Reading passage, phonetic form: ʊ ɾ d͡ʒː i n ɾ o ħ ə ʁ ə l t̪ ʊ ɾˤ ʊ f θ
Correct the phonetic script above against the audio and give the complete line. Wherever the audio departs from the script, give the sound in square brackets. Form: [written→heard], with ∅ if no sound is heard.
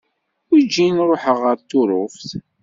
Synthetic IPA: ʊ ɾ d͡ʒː i n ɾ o ħ ə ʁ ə [l→ɾ] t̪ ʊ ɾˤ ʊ f θ